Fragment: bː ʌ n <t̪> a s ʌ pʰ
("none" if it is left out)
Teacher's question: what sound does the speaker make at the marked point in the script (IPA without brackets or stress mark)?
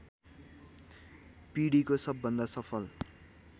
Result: d̪